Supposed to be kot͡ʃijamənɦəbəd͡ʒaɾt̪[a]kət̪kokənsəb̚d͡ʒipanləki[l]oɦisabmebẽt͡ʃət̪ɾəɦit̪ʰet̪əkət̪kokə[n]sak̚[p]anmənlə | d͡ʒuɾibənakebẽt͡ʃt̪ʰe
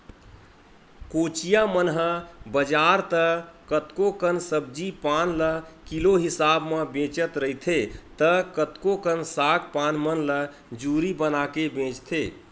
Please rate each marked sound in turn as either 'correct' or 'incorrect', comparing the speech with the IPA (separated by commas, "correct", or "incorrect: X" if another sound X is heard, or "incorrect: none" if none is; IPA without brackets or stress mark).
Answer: incorrect: ə, correct, correct, correct